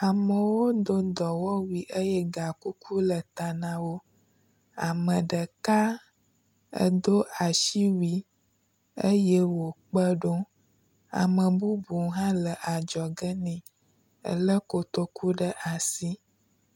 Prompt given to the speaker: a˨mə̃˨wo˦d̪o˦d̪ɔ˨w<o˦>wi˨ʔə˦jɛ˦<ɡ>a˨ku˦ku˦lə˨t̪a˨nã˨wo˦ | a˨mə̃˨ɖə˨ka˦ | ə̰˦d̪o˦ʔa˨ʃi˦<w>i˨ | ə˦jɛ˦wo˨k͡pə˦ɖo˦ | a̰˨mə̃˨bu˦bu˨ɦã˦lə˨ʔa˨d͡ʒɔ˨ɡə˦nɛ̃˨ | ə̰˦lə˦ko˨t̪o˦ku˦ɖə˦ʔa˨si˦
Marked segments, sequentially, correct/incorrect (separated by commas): incorrect, correct, correct